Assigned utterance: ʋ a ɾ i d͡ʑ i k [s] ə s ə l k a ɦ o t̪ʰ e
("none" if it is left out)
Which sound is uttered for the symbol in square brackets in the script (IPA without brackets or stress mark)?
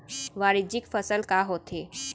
f